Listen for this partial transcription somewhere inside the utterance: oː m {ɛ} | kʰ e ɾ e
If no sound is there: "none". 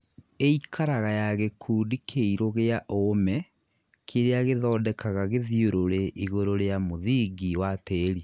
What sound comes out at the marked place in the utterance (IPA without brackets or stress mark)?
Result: ɛ